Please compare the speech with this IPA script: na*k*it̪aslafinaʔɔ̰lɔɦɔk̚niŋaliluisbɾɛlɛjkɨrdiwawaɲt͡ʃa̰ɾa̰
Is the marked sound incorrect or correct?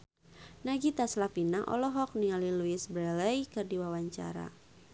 incorrect: ɡ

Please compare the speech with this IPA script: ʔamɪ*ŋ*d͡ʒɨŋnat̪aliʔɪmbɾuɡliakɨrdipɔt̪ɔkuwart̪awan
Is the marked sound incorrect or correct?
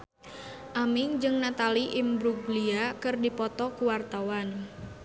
correct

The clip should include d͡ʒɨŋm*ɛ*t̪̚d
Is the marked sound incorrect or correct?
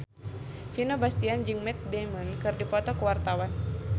correct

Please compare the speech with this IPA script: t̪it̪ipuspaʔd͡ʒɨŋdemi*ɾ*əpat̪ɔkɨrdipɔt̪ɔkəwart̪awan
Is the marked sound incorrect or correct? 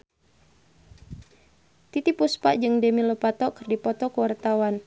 incorrect: l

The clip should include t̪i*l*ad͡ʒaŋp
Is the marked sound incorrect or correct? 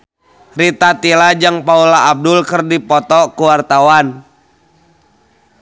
correct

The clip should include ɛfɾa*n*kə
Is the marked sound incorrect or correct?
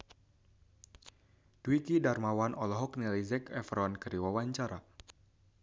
correct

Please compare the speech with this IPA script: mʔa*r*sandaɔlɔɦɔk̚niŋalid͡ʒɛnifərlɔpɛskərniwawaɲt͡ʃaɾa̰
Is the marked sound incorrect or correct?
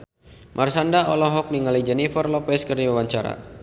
correct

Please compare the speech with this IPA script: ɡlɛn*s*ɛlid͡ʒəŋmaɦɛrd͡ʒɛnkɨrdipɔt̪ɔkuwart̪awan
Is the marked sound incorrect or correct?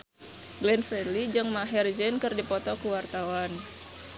incorrect: f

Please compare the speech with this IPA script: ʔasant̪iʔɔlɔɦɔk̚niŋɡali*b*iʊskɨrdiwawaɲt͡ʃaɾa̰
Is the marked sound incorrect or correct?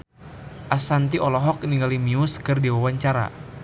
incorrect: m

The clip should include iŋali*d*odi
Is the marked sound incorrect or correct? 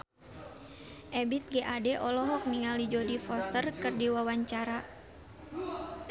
incorrect: d͡ʒ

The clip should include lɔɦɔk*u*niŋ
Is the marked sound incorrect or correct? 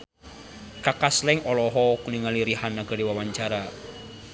correct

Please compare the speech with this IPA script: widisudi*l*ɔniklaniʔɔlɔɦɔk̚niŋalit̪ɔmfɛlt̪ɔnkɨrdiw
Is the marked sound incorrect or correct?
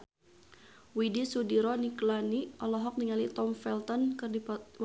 incorrect: ɾ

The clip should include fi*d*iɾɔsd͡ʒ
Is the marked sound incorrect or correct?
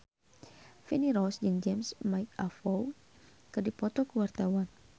incorrect: n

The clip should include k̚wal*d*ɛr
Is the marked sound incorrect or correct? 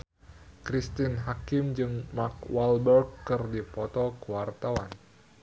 incorrect: b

